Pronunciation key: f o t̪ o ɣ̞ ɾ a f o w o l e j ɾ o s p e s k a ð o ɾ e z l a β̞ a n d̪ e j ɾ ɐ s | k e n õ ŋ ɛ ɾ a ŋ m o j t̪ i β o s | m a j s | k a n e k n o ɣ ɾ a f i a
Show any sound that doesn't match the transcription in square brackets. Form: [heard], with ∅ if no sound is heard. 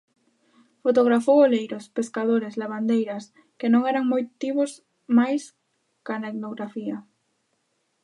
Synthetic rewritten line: f o t̪ o ɣ̞ ɾ a f o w o l e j ɾ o s p e s k a ð o ɾ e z l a β̞ a n d̪ e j ɾ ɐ s | k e n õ ŋ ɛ ɾ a ŋ m o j t̪ i β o s | m a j s | k a n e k n o ɣ ɾ a f i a

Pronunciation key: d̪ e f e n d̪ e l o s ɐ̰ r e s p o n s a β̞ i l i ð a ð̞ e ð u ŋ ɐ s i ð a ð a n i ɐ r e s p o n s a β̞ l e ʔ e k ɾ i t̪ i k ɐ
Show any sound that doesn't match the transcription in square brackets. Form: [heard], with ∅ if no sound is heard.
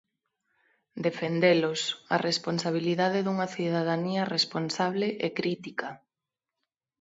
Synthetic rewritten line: d̪ e f e n d̪ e l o s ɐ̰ r e s p o n s a β̞ i l i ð a ð̞ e ð u ŋ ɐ [θ] i ð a ð a n i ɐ r e s p o n s a β̞ l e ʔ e k ɾ i t̪ i k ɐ

